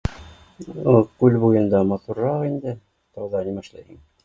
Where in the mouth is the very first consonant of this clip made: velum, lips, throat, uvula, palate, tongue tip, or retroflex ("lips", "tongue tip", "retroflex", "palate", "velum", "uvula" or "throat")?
velum